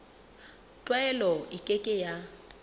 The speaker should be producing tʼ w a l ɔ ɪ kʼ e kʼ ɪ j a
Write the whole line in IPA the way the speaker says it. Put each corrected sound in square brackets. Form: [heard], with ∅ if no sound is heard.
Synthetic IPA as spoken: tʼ w [ɛ] l ɔ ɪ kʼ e kʼ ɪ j a